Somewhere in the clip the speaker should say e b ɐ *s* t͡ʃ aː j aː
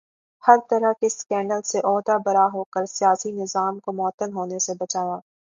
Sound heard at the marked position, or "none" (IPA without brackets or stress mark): none